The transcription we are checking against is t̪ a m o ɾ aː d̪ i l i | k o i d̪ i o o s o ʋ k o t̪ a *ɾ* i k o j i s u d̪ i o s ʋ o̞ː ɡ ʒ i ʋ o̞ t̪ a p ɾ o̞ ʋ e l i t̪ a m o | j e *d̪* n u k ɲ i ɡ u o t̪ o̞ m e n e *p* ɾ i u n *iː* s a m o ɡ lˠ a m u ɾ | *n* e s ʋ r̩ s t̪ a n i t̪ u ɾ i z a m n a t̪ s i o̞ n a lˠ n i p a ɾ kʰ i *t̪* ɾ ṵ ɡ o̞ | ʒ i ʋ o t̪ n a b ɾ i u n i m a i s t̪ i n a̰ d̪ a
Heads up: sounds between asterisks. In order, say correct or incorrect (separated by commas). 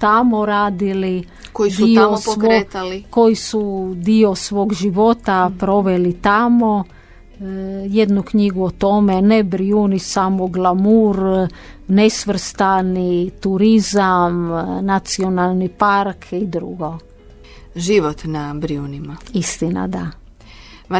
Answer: incorrect, correct, incorrect, incorrect, correct, incorrect